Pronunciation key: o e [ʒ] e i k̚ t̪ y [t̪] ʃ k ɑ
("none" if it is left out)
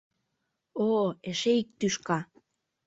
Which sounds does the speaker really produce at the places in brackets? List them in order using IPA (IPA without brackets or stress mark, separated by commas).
ʃ, none